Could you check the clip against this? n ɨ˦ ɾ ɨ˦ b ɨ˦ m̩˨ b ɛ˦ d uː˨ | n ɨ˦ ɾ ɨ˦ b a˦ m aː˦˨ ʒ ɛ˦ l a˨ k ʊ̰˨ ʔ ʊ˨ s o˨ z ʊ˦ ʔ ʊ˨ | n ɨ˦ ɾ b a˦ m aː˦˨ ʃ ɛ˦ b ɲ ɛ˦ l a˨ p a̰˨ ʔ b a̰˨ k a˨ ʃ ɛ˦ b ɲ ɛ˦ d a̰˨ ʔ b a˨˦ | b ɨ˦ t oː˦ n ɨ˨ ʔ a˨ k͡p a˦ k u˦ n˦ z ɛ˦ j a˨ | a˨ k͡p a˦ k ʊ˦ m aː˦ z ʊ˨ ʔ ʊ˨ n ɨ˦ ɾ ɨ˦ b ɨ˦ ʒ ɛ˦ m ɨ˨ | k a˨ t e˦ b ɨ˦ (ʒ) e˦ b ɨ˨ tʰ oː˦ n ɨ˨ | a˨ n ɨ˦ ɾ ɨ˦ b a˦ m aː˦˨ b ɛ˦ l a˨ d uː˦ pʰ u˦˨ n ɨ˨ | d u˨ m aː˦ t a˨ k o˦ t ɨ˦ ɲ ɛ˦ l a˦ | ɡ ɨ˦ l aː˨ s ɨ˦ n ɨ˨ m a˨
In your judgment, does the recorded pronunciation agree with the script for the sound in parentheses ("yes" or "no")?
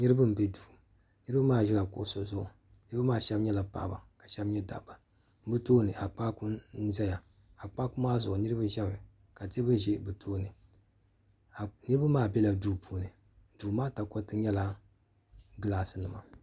yes